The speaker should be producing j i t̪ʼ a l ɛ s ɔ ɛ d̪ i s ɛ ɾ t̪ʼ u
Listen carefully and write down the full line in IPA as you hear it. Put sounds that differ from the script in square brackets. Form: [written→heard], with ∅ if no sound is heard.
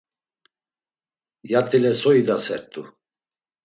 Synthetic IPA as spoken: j [i→a] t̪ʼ [a→i] l ɛ s ɔ [ɛ→i] d̪ [i→a] s ɛ ɾ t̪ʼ u